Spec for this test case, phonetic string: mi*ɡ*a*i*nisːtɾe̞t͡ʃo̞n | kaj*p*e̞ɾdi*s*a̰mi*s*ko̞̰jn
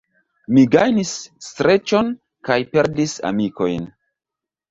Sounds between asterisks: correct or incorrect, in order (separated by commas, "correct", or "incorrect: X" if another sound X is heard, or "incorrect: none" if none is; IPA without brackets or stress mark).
correct, incorrect: j, correct, correct, incorrect: none